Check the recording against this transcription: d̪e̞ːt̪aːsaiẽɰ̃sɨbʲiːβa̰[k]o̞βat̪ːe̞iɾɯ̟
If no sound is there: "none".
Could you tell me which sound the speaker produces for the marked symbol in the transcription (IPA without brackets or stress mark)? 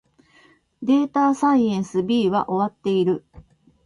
ʔ